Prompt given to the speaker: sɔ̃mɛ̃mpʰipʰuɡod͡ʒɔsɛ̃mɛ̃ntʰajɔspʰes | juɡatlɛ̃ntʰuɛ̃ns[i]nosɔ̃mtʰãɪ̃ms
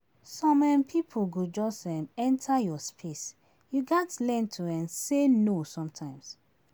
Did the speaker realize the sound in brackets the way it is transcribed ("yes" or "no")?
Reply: no